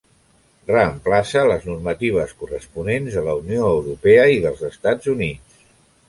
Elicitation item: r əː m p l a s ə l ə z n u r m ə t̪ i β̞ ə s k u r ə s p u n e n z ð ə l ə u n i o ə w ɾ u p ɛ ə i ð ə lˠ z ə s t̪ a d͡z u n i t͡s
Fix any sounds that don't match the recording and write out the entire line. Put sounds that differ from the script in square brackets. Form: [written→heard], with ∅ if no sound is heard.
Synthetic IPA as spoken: r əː m p l a s ə l ə z n u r m ə t̪ i β̞ ə s k u r ə s p u n e n z ð ə l ə u n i o ə w ɾ u p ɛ ə i ð ə lˠ z ə s t̪ a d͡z u n i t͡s